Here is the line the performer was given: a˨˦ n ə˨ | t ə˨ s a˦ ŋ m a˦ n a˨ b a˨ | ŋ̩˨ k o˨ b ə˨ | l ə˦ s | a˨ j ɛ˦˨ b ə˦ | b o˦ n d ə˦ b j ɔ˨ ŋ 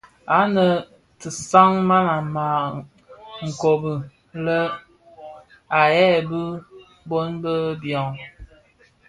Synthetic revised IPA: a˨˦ n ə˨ | t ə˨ s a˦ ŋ m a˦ n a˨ m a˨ | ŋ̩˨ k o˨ b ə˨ | l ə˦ | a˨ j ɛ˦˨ b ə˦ | b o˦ n b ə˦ b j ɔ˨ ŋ